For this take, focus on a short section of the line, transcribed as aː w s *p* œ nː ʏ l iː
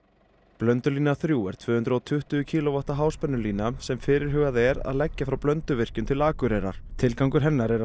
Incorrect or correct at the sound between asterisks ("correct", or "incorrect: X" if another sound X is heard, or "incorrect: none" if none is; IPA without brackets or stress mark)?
correct